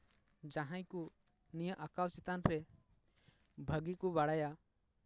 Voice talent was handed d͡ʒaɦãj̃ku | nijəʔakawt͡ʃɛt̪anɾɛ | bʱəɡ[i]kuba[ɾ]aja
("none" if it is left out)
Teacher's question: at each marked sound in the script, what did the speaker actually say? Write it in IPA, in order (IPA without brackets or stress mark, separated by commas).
i, ɽ